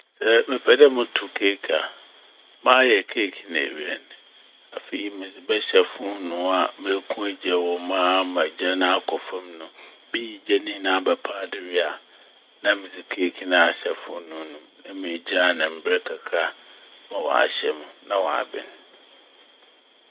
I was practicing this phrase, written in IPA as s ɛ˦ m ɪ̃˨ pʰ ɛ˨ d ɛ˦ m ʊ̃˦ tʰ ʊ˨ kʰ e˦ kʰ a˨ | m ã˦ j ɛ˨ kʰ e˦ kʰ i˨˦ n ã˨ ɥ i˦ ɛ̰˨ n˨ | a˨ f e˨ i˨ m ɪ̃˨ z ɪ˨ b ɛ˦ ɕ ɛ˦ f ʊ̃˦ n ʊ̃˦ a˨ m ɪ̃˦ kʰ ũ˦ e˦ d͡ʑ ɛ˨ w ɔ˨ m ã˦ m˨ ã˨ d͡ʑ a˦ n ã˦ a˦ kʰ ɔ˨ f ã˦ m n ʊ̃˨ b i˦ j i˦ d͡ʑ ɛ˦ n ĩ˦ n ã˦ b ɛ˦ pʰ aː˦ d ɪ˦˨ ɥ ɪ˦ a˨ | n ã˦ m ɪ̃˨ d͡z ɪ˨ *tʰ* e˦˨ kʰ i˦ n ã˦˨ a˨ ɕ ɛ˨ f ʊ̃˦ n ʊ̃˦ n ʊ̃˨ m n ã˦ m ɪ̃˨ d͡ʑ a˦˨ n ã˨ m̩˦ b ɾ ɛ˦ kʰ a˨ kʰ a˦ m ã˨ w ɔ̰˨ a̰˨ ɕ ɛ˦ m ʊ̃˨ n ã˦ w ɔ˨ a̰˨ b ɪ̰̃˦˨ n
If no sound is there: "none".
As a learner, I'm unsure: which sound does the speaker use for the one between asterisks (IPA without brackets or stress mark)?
kʰ